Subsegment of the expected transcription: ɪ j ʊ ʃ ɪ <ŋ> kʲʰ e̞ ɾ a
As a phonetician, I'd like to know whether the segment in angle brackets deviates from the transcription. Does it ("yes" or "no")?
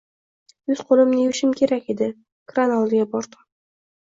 yes